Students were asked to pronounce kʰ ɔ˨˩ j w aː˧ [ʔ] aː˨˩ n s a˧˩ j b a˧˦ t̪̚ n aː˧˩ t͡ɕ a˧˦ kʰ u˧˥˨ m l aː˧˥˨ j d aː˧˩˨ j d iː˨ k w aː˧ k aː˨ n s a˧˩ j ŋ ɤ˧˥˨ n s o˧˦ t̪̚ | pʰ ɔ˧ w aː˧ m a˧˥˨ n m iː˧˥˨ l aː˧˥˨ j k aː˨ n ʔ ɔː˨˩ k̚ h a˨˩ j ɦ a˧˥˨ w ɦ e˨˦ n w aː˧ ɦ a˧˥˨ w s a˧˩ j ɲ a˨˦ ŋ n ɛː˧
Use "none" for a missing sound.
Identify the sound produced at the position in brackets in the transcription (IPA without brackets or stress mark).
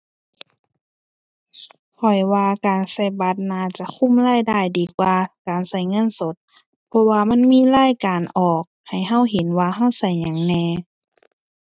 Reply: k